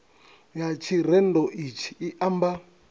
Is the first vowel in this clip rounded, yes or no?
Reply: no